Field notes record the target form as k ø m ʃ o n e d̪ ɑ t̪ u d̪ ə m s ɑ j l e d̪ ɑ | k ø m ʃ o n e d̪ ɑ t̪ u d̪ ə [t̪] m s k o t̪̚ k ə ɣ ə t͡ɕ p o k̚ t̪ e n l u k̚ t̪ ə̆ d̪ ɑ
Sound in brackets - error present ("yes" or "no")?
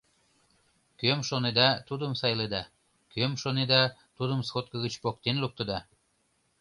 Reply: yes